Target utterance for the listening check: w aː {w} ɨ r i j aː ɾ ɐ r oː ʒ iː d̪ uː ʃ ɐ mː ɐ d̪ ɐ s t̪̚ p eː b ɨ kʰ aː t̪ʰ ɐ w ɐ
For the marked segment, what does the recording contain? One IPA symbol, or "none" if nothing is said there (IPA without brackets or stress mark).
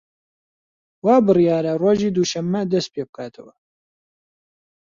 b